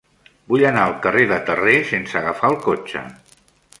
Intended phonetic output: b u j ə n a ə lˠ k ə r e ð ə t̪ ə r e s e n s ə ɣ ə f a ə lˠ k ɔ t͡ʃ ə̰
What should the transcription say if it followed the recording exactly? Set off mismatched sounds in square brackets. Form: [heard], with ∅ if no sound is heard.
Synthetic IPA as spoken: b u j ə n a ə lˠ k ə r e ð ə t̪ ə r e s e n s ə ɣ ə f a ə lˠ k [o] t͡ʃ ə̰